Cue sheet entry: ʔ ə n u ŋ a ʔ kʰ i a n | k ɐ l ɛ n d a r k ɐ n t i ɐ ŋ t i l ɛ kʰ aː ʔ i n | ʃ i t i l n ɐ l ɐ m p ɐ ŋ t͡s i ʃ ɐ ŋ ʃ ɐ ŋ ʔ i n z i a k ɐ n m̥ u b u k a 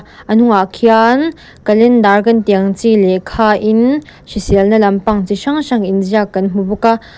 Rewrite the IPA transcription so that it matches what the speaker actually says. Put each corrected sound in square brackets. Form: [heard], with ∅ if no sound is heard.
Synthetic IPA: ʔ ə n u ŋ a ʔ kʰ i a n | k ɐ l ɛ n d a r k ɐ n t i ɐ ŋ [t͡s] i l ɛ kʰ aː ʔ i n | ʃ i [s] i l n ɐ l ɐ m p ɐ ŋ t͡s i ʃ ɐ ŋ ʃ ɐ ŋ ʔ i n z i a k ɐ n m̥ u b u k a